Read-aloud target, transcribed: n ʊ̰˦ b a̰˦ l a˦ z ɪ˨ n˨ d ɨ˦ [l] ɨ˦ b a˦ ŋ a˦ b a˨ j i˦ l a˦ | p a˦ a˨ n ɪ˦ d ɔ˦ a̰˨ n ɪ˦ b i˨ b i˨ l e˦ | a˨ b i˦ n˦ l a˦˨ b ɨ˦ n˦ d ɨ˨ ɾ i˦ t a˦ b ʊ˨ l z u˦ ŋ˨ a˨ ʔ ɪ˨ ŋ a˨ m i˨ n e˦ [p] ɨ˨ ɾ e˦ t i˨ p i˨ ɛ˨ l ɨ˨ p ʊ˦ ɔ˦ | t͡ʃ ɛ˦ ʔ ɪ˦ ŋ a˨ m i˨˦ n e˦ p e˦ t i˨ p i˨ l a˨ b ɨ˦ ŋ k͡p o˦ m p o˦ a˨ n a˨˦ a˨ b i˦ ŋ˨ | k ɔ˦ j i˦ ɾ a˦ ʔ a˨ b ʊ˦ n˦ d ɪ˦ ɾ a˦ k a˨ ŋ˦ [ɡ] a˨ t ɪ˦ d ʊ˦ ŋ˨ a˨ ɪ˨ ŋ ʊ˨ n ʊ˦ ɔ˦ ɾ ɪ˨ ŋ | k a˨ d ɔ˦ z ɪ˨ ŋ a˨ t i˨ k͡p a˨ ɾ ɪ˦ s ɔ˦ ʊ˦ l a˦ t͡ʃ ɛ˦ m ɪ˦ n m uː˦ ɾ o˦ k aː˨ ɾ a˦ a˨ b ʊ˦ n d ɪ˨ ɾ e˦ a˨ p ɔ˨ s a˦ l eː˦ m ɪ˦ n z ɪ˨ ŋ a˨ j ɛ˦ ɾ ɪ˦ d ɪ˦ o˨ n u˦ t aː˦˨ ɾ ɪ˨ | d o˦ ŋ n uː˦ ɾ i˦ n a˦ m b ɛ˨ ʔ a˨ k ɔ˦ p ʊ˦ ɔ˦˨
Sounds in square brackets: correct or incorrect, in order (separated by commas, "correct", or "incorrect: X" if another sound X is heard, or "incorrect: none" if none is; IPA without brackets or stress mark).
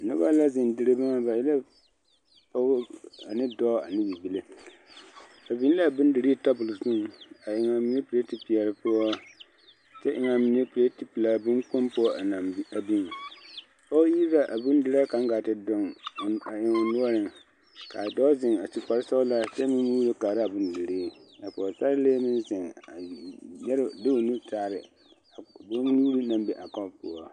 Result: incorrect: ɾ, correct, correct